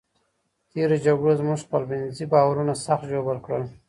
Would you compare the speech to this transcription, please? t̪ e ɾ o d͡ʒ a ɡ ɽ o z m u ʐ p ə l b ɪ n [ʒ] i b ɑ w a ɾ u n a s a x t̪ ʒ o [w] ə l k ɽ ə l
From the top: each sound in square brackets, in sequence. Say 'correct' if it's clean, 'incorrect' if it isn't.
incorrect, incorrect

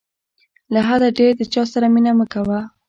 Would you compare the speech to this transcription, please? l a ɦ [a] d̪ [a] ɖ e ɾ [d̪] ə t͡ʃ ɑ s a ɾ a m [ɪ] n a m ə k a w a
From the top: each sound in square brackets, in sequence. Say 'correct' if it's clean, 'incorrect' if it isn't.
correct, correct, correct, incorrect

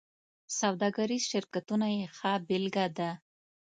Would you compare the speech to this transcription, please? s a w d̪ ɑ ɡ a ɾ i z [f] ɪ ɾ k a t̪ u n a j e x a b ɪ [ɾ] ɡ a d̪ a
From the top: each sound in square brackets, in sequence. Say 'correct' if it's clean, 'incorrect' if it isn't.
incorrect, incorrect

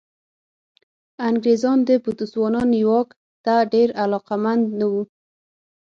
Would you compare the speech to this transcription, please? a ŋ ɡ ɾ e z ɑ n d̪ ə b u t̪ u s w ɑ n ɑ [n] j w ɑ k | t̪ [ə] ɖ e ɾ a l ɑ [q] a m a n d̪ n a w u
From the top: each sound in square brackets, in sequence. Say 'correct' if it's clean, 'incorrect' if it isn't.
correct, incorrect, correct

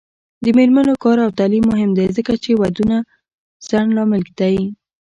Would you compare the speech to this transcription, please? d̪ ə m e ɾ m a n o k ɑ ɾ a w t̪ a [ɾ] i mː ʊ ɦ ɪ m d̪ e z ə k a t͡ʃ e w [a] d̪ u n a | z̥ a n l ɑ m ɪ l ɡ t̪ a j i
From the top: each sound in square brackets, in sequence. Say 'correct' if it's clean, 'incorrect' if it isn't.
incorrect, correct

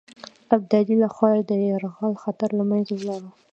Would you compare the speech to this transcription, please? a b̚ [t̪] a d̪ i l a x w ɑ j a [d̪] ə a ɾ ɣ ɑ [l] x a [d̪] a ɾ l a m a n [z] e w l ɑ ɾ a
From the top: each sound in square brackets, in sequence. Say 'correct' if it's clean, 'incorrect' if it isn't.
incorrect, correct, correct, incorrect, correct

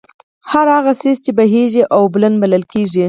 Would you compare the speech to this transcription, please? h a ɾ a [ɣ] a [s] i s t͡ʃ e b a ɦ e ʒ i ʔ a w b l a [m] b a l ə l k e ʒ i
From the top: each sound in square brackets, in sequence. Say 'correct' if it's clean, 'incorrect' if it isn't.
correct, correct, incorrect

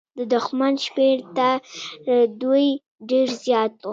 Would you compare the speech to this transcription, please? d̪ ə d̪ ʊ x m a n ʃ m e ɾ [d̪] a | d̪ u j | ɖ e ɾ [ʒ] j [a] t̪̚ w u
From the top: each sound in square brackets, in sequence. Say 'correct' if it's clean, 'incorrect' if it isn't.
incorrect, incorrect, incorrect

